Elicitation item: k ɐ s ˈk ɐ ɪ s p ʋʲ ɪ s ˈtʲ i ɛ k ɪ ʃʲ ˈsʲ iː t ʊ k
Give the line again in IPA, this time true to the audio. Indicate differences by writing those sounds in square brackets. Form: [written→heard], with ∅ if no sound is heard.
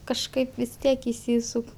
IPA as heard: k ɐ [s→ʃ] ˈk ɐ ɪ [s→∅] p ʋʲ ɪ s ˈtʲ i ɛ k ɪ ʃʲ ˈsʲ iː [t→s] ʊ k